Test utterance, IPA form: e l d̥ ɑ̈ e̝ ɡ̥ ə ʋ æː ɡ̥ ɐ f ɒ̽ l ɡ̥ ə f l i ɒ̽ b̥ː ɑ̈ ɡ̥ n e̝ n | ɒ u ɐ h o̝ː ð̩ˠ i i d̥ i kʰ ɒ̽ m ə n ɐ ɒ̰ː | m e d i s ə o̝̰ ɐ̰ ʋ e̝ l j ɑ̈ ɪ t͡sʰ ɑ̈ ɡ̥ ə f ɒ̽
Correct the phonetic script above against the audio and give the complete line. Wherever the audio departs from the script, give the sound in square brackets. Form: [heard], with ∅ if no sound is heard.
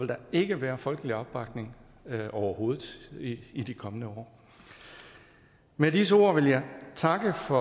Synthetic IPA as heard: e l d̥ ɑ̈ e̝ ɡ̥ ə ʋ æː [∅] ɐ f ɒ̽ l ɡ̥ ə [∅] l i ɒ̽ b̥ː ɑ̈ ɡ̥ n e̝ [ŋ] | ɒ [ʊ] ɐ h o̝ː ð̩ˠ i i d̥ i kʰ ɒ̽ m ə n [ə] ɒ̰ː | m e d i s ə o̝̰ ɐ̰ ʋ e̝ l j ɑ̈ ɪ t͡sʰ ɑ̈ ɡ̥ ə f ɒ̽